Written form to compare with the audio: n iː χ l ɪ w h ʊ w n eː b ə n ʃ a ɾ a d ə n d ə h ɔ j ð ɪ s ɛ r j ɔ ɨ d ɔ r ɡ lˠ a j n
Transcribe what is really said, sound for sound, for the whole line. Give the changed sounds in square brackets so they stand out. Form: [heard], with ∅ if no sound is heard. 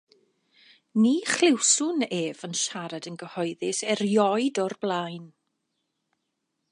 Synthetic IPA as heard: n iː χ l ɪ w [s] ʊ [∅] n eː [v] ə n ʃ a ɾ a d ə n [ɡ] ə h ɔ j ð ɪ s ɛ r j ɔ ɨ d ɔ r [b] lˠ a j n